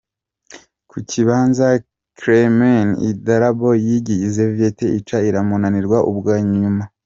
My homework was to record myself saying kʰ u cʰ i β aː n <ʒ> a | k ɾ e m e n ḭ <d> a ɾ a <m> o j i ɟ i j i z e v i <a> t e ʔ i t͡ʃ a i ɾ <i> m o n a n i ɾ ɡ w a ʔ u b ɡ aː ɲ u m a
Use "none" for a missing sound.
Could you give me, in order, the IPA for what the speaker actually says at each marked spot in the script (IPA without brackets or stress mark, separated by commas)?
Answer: z, d, b, e, a